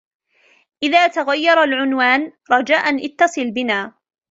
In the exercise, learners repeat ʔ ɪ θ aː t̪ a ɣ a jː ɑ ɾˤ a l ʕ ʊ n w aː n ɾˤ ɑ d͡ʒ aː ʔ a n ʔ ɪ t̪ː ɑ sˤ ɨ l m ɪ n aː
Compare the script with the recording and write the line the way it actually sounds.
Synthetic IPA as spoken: ʔ ɪ ð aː t̪ a ɣ a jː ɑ ɾˤ a l ʕ ʊ n w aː n ɾˤ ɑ d͡ʒ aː ʔ a n ʔ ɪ t̪ː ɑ sˤ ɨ l b ɪ n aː